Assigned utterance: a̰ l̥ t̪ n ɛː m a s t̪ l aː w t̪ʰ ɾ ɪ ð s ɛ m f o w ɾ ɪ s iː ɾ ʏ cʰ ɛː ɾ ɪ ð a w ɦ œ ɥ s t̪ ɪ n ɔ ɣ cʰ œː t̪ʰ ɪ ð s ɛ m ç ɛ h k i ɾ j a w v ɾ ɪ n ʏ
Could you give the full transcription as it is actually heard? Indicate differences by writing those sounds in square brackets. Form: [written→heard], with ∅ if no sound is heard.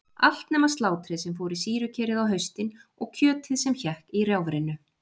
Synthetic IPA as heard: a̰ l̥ t̪ n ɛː m a s t̪ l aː w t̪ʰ ɾ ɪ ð s ɛ m f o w ɾ ɪ s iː ɾ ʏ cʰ ɛː ɾ ɪ ð a w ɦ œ ɥ s t̪ ɪ n ɔ ɣ cʰ œː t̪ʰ ɪ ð s ɛ m ç ɛ h k i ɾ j a w v ɾ ɪ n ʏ